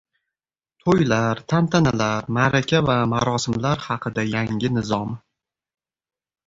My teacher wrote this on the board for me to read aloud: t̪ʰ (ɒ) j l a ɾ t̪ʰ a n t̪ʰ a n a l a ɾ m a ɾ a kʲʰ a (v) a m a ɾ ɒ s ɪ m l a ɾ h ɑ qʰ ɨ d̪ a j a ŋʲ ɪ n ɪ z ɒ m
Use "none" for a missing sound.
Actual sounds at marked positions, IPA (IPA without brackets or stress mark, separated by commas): o, v